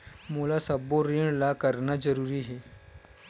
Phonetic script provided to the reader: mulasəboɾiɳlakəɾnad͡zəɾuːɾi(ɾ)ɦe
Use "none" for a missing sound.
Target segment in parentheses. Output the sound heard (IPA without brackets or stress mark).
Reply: none